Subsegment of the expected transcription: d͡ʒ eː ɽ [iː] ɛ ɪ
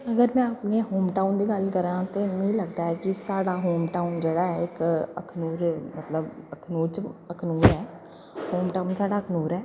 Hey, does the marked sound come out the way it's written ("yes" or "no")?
no